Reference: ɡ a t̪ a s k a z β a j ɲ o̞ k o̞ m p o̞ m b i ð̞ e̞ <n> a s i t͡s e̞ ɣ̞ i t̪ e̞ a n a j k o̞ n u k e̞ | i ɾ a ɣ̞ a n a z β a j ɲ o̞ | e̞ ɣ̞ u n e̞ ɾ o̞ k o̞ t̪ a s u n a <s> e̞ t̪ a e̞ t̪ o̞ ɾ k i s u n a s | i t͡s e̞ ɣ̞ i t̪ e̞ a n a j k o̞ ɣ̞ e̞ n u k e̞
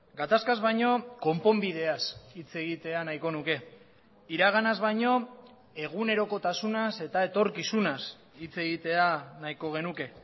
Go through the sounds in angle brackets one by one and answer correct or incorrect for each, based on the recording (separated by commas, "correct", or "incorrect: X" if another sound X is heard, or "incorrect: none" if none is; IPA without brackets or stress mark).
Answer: incorrect: none, correct